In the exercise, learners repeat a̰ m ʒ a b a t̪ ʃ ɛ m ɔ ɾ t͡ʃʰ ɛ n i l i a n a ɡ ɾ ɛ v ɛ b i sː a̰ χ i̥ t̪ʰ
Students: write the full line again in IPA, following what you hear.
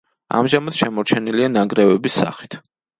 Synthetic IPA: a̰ m ʒ a m a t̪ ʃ ɛ m ɔ ɾ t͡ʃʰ ɛ n i l i a n a ɡ ɾ ɛ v ɛ b i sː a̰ χ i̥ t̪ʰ